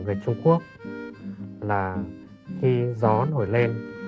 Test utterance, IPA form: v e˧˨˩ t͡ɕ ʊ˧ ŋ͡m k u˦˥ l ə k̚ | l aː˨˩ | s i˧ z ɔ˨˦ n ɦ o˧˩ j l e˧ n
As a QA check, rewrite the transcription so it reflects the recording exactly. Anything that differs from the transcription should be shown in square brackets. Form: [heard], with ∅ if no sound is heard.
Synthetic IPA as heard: v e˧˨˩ t͡ɕ ʊ˧ ŋ͡m k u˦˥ [∅] ə k̚ | l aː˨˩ | [x] i˧ z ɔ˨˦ n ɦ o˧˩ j l e˧ n

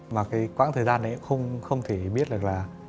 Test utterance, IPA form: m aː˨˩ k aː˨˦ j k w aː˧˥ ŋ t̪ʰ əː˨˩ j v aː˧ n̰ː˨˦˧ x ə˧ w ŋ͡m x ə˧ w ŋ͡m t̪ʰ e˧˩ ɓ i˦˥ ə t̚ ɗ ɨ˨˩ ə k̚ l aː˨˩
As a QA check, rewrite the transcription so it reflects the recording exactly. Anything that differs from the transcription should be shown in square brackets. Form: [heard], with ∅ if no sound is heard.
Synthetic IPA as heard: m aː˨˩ k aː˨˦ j k w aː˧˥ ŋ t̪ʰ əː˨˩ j [z] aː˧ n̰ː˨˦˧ x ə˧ w ŋ͡m x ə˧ w ŋ͡m t̪ʰ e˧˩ ɓ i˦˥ ə t̚ ɗ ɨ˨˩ ə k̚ l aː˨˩

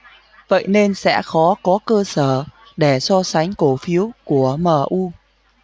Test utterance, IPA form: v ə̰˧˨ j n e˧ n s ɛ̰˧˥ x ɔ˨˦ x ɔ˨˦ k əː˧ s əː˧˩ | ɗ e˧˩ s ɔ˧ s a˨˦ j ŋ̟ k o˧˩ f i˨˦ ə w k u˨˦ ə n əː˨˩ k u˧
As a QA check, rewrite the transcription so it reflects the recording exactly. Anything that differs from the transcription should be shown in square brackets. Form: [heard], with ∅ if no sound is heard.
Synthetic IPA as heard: v ə̰˧˨ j n e˧ n s ɛ̰˧˥ x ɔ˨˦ [k] ɔ˨˦ k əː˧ s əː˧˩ | ɗ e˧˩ s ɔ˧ s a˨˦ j ŋ̟ k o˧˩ f i˨˦ ə w k [u˧˩] ə [m] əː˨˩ [ʔ] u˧

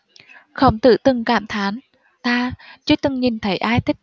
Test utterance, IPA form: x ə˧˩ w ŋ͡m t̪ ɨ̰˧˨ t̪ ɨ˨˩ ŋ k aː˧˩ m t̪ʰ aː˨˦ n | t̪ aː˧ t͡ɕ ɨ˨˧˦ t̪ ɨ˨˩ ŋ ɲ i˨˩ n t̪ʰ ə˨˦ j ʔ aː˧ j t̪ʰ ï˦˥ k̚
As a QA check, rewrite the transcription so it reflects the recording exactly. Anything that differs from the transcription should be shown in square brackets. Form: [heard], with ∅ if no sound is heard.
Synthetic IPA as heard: x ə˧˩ w ŋ͡m t̪ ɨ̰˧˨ t̪ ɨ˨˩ ŋ k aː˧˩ m t̪ʰ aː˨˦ n | t̪ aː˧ t͡ɕ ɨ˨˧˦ t̪ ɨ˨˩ ŋ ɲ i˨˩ n t̪ʰ ə˨˦ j ʔ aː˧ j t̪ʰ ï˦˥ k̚

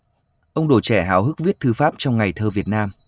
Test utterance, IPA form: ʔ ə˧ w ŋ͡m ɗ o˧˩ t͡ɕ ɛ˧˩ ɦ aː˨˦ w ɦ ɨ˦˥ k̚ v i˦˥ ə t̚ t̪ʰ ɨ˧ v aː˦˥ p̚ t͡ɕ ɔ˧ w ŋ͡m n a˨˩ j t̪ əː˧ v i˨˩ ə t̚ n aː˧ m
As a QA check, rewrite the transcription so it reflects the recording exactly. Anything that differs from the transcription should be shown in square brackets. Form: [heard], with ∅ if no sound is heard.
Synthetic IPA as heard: ʔ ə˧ w ŋ͡m ɗ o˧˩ t͡ɕ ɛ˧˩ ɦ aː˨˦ w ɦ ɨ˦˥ k̚ v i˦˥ ə t̚ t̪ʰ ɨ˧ [f] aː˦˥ p̚ t͡ɕ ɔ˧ w ŋ͡m [ŋ] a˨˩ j [t̪ʰ] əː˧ v i˨˩ ə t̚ n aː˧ m

